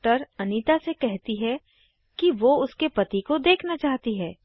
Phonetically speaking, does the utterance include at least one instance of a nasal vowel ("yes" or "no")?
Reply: no